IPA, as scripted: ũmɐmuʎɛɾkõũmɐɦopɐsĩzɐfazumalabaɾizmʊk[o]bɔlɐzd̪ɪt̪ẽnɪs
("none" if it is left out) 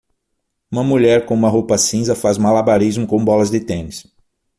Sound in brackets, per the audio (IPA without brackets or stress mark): õ